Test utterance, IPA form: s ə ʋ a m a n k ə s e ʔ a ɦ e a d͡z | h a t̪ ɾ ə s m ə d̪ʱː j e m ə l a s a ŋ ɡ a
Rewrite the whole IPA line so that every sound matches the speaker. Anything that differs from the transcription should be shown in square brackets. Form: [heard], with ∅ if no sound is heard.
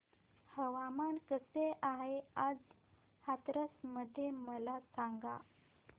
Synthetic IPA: [h] ə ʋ a m a n k ə s e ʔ a ɦ e a d͡z | h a t̪ ɾ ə s m ə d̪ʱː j e m ə l a s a ŋ ɡ a